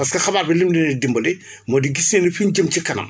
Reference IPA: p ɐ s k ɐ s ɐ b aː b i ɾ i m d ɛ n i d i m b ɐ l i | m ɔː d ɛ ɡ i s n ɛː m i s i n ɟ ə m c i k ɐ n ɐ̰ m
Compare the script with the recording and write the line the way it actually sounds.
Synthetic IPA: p ɐ s k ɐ x ɐ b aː b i l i m d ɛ n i d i m b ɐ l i | m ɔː d i ɡ i s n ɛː n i f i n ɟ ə m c i k ɐ n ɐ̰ m